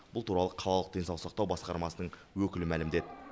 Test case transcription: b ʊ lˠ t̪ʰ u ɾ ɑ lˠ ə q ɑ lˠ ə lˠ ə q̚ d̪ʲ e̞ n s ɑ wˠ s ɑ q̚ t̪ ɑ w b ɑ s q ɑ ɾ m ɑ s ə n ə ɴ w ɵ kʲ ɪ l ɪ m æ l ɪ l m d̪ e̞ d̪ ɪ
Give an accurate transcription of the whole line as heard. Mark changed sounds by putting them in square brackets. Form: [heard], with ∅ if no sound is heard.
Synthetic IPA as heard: b ʊ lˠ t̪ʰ u ɾ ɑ lˠ ə [qʰ] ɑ lˠ [ɑ] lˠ ə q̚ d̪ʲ e̞ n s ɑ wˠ s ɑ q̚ t̪ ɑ w b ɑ s q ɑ ɾ m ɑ s ə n ə ɴ w ɵ kʲ ɪ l ɪ m æ l ɪ [∅] m d̪ e̞ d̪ ɪ